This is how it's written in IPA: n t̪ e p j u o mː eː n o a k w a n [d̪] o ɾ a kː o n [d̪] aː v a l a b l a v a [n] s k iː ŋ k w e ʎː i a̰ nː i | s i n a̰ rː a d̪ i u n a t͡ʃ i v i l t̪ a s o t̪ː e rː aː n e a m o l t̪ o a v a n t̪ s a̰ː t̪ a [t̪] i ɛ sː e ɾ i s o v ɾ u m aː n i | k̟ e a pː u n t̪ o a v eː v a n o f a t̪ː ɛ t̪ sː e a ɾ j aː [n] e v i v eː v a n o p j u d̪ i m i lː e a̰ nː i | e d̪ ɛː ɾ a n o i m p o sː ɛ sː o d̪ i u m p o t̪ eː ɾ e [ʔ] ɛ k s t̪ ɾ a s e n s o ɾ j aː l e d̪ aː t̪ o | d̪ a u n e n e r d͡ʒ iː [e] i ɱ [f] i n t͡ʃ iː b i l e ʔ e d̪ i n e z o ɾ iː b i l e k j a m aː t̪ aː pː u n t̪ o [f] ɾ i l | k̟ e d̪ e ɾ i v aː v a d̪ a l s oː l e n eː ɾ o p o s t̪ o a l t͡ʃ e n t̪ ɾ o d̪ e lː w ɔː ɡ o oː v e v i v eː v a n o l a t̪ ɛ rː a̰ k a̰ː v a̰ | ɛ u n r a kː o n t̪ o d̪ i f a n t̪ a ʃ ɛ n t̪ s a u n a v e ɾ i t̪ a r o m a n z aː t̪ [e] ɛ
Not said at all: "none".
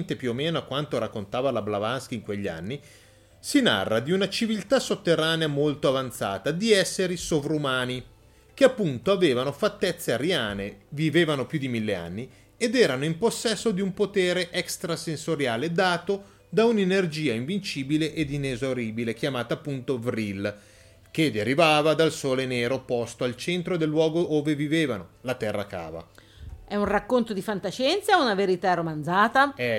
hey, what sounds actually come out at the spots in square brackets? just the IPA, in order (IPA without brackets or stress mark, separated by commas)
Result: t̪, t̪, n, d̪, n, ʔ, a, v, v, a